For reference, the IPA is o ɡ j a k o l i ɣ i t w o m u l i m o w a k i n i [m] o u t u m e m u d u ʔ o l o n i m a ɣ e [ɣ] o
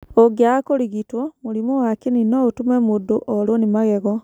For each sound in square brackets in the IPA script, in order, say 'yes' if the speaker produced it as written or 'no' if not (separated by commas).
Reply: no, yes